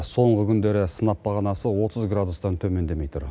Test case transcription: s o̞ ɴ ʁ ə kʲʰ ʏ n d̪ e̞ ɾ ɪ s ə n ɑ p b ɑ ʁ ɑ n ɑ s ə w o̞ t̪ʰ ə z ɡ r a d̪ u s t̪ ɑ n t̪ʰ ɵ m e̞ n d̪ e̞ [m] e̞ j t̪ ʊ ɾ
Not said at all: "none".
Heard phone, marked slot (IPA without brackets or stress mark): m